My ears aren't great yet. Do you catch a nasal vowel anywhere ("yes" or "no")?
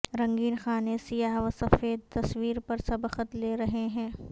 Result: yes